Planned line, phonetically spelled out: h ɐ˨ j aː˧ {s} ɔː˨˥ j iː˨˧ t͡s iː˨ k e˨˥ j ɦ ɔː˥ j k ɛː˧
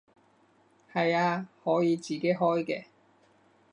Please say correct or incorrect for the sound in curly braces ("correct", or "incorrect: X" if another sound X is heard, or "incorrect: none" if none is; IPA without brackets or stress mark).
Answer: incorrect: h